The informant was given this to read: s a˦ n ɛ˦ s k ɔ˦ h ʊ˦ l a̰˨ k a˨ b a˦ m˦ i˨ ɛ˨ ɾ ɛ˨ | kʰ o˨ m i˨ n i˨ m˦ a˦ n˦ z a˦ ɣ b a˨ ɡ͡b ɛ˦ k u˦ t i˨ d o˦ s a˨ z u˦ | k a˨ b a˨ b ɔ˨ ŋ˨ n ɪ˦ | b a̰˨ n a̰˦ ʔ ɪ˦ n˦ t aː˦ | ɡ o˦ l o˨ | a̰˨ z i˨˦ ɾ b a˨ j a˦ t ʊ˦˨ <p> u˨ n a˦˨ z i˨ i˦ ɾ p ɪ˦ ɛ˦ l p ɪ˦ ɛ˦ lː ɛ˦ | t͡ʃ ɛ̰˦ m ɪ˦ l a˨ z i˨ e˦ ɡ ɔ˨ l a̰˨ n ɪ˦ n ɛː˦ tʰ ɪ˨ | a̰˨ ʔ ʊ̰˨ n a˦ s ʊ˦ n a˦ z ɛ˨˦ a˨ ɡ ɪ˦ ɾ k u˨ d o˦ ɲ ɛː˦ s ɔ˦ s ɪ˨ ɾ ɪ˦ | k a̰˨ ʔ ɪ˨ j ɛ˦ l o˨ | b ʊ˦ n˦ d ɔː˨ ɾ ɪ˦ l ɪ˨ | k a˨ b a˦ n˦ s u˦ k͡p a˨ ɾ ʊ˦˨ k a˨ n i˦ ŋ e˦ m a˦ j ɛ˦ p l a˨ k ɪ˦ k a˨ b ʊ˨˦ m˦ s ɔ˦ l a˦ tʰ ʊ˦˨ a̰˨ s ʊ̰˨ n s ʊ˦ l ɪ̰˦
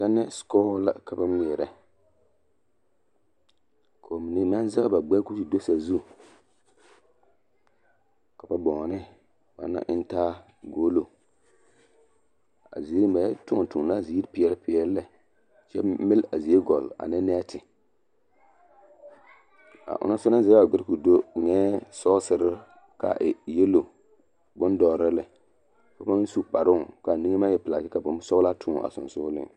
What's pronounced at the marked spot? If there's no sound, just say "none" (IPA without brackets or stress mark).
t